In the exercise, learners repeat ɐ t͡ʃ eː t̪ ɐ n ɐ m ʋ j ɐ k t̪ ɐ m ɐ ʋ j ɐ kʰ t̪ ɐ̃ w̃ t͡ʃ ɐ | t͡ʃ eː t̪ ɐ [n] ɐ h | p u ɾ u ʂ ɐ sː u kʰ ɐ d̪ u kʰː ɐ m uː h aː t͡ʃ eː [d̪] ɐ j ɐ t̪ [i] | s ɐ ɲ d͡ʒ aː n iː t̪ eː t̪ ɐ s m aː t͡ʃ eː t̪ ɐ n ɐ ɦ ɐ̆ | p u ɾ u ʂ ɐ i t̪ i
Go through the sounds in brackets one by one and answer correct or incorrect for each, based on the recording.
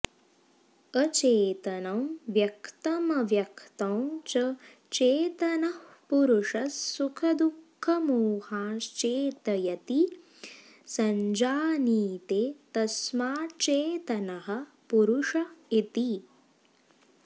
correct, incorrect: t̪, correct

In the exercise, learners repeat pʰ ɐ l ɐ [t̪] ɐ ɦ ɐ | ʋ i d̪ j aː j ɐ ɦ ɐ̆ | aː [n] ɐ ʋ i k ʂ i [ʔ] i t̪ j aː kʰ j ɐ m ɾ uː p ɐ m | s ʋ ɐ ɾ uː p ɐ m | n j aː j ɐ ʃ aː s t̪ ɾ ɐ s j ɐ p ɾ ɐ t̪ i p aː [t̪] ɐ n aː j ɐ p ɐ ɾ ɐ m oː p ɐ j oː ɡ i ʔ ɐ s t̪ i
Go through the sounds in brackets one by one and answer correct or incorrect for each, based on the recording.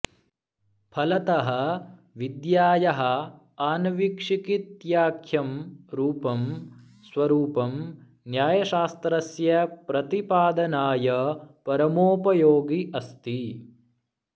correct, correct, incorrect: k, incorrect: d̪

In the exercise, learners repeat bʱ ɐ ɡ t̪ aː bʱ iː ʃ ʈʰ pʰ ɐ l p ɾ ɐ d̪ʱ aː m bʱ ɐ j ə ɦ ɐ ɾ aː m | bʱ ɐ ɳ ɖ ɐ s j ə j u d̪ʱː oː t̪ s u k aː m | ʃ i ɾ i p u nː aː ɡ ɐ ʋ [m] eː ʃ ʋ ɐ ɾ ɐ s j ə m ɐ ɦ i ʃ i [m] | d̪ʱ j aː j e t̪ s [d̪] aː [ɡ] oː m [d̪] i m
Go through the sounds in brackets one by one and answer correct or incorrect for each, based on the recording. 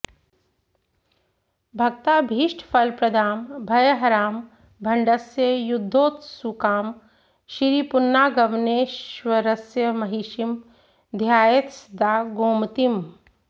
incorrect: n, correct, correct, correct, incorrect: t̪

